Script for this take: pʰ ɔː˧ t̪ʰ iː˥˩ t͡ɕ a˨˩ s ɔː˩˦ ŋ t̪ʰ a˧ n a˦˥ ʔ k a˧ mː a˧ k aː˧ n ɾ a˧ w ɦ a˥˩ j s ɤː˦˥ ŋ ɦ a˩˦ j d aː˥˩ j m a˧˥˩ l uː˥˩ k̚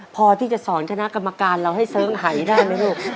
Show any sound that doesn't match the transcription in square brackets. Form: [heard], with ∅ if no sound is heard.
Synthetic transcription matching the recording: pʰ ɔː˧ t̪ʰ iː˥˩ t͡ɕ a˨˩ s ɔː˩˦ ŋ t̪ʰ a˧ n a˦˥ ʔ k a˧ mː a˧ k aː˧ n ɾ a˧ w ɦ a˥˩ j s ɤː˦˥ ŋ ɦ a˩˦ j d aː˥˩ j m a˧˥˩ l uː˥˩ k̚

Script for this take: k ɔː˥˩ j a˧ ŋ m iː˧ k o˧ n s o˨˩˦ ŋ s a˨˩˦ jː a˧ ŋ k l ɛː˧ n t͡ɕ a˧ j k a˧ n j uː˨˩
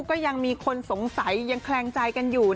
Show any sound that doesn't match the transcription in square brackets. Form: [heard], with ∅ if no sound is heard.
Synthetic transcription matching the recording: k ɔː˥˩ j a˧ ŋ m iː˧ [kʰ] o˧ n s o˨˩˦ ŋ s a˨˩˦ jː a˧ ŋ [kʰ] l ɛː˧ [ŋ] t͡ɕ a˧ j k a˧ n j uː˨˩

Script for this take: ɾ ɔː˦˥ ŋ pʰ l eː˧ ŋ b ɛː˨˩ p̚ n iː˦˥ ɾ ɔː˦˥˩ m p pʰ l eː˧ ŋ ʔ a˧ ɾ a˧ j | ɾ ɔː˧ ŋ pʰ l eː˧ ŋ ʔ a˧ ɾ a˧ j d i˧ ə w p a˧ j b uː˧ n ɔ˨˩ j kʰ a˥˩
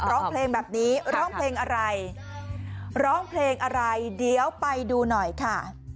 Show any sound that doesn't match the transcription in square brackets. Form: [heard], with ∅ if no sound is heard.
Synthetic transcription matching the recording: ɾ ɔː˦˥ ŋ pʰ l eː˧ ŋ b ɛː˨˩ p̚ n iː˦˥ ɾ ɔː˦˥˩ [ŋ] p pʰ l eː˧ ŋ ʔ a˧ ɾ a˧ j | ɾ [ɔː˦˥˩] ŋ pʰ l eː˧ ŋ ʔ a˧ ɾ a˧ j d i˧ ə w p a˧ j [d] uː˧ n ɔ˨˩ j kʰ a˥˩

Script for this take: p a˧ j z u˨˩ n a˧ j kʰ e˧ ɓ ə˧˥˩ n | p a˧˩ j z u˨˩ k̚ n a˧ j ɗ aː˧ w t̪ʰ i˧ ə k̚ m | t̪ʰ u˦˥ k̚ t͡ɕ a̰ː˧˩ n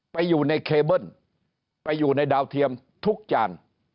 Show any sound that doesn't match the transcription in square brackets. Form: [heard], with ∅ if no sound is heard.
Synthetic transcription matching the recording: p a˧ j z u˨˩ n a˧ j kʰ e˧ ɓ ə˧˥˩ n | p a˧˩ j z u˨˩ [∅] n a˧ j ɗ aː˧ w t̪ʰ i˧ ə [∅] m | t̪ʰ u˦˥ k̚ t͡ɕ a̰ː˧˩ n

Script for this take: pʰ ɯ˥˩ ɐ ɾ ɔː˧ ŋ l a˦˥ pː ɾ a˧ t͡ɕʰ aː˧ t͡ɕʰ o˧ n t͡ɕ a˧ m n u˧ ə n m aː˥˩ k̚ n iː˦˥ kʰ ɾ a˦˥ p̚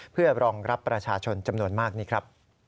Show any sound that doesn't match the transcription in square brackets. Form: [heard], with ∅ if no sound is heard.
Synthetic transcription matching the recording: pʰ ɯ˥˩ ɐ ɾ ɔː˧ ŋ [ɾ] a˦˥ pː ɾ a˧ t͡ɕʰ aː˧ t͡ɕʰ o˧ n t͡ɕ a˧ m n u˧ ə n m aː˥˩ k̚ n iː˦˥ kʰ ɾ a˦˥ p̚

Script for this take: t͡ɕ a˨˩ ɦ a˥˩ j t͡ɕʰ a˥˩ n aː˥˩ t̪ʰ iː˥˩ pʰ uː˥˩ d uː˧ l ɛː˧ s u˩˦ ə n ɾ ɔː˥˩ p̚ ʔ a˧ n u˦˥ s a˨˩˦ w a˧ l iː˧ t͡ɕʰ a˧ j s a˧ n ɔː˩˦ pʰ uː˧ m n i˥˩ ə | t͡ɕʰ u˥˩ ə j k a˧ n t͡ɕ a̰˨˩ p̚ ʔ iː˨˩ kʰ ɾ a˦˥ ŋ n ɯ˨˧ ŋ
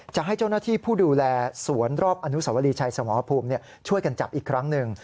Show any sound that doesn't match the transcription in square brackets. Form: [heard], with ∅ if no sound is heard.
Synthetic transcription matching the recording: t͡ɕ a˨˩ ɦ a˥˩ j [t͡ɕ] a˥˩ n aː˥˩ t̪ʰ iː˥˩ pʰ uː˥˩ d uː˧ l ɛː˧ s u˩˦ ə n ɾ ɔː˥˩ p̚ ʔ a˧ n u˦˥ s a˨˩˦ w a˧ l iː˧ t͡ɕʰ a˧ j s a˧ [m] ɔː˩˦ pʰ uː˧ m n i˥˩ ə | t͡ɕʰ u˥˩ ə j k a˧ n t͡ɕ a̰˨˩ p̚ ʔ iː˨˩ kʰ ɾ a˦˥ ŋ n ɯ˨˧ ŋ

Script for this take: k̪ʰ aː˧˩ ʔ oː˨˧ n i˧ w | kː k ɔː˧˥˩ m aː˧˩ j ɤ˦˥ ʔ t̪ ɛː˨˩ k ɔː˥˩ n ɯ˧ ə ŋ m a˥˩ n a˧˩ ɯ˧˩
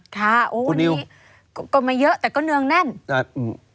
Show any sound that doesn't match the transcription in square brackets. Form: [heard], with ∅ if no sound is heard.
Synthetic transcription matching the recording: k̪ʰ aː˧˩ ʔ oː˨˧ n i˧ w | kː k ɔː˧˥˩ m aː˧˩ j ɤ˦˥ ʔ t̪ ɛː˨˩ k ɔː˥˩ n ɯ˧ ə ŋ [n] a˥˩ n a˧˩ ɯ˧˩

